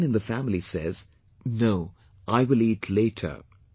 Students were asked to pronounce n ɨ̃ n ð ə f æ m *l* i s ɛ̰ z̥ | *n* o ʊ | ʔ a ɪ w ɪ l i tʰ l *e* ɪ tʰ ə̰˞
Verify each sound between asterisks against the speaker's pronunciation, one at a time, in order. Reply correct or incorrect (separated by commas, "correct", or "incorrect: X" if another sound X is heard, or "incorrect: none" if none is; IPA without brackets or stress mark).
correct, correct, correct